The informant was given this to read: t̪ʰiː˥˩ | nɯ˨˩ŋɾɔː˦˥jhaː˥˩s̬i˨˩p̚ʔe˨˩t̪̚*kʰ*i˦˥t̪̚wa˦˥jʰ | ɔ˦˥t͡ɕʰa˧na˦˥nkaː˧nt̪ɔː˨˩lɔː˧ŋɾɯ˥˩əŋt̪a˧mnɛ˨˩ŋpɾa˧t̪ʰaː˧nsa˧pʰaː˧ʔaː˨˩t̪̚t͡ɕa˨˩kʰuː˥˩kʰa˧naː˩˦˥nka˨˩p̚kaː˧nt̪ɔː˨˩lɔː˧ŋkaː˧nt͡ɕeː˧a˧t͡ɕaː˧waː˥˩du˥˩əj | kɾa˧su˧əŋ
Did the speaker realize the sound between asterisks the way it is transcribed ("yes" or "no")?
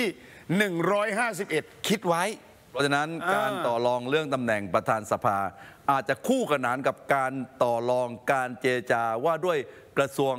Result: yes